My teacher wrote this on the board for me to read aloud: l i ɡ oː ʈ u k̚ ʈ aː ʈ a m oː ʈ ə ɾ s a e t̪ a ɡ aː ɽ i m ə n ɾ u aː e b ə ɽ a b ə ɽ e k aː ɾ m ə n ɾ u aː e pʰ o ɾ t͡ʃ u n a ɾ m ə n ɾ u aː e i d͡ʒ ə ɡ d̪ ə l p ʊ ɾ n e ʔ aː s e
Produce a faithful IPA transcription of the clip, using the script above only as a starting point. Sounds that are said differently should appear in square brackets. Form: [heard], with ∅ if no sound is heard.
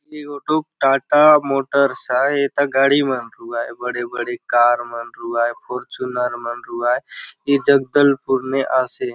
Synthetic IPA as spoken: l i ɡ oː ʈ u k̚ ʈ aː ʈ a m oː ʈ ə ɾ s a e t̪ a ɡ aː ɽ i m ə n ɾ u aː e b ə ɽ [e] b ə ɽ e k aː ɾ m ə n ɾ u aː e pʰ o ɾ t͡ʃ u n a ɾ m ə n ɾ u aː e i d͡ʒ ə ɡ d̪ ə l p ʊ ɾ n e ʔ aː s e